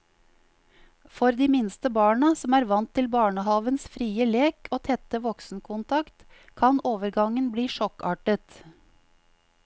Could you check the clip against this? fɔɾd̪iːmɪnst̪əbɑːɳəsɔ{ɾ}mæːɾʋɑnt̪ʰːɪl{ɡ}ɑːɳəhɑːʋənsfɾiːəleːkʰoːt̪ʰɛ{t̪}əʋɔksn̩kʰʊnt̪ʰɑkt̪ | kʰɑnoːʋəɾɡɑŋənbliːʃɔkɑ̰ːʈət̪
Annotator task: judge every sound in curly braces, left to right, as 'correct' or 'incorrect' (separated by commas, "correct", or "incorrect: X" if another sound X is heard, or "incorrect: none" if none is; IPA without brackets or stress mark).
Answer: incorrect: none, incorrect: b, correct